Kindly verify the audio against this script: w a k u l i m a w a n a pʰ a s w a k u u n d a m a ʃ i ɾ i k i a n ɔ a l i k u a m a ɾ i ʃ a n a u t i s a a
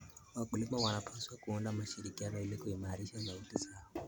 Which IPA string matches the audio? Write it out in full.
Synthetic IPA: w a k u l i m a w a n a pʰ a s w a k u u n d a m a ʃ i ɾ i k i a n ɔ i l i k u i m a ɾ i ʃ a n a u t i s a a